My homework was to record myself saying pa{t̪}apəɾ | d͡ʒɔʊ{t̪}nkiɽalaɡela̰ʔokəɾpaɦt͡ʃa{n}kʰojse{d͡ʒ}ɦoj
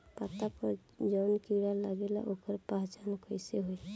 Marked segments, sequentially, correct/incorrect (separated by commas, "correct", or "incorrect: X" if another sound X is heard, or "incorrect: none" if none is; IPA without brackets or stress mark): correct, incorrect: none, correct, incorrect: none